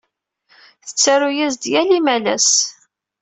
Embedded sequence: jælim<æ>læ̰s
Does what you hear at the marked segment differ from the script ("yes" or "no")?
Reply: no